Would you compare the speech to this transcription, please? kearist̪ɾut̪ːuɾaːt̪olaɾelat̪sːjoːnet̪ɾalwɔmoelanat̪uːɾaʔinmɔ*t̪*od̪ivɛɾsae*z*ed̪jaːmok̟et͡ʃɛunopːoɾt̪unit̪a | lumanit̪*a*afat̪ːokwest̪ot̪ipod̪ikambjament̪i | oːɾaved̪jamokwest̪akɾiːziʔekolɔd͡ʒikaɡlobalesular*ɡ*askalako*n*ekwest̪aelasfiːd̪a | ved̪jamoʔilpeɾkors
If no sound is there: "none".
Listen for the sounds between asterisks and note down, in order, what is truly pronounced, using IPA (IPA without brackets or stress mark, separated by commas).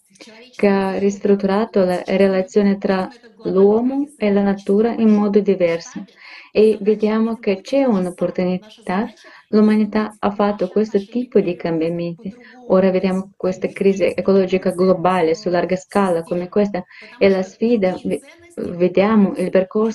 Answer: d̪, v, a, ɡ, m